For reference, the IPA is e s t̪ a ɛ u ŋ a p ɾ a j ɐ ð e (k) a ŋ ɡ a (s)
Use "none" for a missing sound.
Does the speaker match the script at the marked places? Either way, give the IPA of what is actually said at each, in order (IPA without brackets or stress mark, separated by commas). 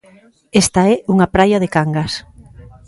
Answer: k, s